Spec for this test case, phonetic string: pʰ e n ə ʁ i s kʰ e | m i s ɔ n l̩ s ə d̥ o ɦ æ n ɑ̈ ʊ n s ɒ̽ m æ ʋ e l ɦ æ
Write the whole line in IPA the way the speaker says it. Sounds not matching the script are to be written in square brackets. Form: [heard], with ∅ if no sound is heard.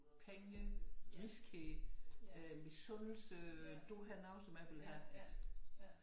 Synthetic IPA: pʰ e [ŋ] ə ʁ i s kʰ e | m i s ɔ n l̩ s ə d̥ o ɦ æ n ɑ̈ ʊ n s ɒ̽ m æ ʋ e l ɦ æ

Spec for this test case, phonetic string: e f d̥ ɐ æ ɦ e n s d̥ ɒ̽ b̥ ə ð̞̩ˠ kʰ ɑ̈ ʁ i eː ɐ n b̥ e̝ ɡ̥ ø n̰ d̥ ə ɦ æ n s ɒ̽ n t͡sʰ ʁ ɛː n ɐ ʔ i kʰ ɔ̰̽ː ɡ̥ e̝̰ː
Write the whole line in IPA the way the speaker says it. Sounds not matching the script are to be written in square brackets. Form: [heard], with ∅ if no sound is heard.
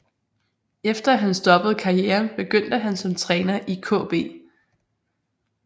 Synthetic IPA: e f d̥ ɐ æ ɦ [æ] n s d̥ ɒ̽ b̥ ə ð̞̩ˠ kʰ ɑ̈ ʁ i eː ɐ n b̥ e̝ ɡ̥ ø n̰ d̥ ə ɦ æ n s ɒ̽ [m] t͡sʰ ʁ ɛː n ɐ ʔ i kʰ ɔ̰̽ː [b̥] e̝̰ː

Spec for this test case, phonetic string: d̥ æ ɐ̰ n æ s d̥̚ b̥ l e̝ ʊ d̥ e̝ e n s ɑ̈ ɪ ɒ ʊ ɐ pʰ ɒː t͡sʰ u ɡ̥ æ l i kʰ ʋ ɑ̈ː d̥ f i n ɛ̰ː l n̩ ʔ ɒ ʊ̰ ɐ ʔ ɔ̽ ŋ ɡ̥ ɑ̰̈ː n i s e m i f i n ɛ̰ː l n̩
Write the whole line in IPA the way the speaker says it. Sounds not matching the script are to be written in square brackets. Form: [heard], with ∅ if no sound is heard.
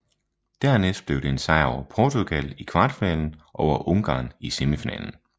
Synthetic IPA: d̥ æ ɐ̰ n [e] s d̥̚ b̥ l e̝ ʊ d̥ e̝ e n s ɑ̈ ɪ ɒ ʊ ɐ pʰ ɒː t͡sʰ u ɡ̥ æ l i kʰ ʋ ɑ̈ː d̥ f i n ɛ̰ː l n̩ ʔ ɒ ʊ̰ ɐ ʔ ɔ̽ ŋ ɡ̥ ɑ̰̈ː n i s e m i f i n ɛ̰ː l n̩

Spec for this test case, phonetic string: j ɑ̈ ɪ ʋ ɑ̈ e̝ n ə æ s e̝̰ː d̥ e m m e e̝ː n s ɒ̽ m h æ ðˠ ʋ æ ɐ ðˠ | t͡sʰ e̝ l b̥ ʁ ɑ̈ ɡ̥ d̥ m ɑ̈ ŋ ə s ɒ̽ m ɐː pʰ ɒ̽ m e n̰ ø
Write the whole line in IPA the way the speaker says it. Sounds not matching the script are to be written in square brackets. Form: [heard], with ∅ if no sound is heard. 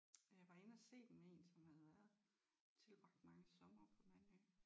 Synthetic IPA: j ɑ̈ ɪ ʋ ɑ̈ e̝ n ə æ s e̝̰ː d̥ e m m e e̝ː n s ɒ̽ m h æ ðˠ ʋ æ ɐ ðˠ | t͡sʰ e̝ l b̥ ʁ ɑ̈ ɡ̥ d̥ m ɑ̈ ŋ ə s ɒ̽ m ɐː pʰ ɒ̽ m [æ] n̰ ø

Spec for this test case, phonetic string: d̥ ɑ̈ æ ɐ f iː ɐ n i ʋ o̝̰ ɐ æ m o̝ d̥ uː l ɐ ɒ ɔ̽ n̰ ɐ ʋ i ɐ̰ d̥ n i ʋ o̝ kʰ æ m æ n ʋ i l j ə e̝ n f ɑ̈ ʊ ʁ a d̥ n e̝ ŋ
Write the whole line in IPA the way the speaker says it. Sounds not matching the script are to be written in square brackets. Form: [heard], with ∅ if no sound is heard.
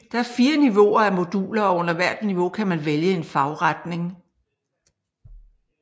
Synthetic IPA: d̥ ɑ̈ æ ɐ f iː ɐ n i ʋ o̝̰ ɐ æ m o̝ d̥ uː l ɐ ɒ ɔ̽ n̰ ɐ ʋ [æ] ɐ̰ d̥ n i ʋ o̝ kʰ æ m æ n ʋ [e] l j ə e̝ n f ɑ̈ ʊ ʁ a d̥ n e̝ ŋ

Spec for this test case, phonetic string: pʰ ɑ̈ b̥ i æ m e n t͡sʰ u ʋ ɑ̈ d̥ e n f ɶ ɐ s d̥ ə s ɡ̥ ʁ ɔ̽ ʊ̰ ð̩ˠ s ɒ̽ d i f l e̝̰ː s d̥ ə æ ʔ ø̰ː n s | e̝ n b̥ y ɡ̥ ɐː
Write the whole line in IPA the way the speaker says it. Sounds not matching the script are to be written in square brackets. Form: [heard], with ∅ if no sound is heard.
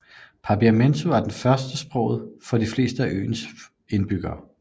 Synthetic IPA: pʰ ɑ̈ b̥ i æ m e n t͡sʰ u ʋ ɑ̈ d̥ e n f ɶ ɐ s d̥ ə s [b̥] ʁ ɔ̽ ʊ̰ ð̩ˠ [f] ɒ̽ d i f l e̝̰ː s d̥ ə æ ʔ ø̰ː n s | e̝ n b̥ y ɡ̥ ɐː

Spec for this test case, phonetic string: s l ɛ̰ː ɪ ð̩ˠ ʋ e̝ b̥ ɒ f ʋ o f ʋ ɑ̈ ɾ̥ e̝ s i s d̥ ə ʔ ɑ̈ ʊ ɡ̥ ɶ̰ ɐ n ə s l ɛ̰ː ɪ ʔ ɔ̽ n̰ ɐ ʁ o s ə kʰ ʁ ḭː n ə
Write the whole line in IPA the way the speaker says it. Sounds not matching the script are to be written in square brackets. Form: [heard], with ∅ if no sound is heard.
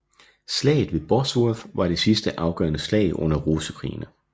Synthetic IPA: s l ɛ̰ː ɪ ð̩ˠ ʋ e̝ b̥ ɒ [s] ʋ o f ʋ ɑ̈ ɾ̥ e̝ s i s d̥ ə ʔ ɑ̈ ʊ ɡ̥ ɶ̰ ɐ n ə s l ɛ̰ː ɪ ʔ ɔ̽ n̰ ɐ ʁ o s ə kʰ ʁ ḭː n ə

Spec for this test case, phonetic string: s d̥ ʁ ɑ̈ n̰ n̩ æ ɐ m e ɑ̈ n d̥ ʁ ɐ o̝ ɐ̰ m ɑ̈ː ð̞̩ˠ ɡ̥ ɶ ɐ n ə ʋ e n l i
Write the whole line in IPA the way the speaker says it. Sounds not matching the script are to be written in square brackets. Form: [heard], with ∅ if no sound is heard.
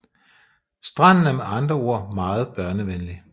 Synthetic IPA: s d̥ ʁ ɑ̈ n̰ n̩ æ ɐ m e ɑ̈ n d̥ ʁ ɐ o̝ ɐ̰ m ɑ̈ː ð̞̩ˠ [b̥] ɶ ɐ n ə ʋ e n l i

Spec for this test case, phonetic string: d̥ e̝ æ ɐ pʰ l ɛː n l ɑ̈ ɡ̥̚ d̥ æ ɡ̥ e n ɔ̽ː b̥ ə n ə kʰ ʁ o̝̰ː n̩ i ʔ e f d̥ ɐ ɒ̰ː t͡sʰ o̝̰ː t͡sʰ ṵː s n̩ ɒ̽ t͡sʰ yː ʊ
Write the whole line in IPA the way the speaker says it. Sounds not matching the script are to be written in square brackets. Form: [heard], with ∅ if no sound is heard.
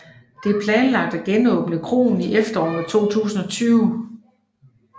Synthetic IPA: d̥ e̝ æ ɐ pʰ l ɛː n l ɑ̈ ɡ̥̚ d̥ æ ɡ̥ e n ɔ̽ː b̥ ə n ə kʰ ʁ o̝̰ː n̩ i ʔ e f d̥ ɐ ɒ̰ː t͡sʰ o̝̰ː t͡sʰ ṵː s n̩ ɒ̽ t͡sʰ yː ʊ

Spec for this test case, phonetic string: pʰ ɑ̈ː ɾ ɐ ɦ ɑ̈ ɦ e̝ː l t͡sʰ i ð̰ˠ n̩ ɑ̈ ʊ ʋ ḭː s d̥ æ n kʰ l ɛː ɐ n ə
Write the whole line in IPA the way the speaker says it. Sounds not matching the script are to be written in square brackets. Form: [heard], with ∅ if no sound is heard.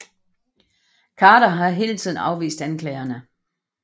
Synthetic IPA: [kʰ] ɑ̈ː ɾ ɐ ɦ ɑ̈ ɦ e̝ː l t͡sʰ i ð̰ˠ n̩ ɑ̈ ʊ ʋ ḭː s d̥ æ n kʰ l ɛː ɐ n ə

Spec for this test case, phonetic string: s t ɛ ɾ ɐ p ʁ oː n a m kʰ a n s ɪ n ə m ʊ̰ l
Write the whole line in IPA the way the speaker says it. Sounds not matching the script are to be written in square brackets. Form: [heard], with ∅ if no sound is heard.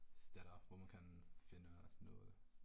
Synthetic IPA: s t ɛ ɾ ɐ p [v] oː [m] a [n] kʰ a n [f] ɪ n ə [n] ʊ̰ l

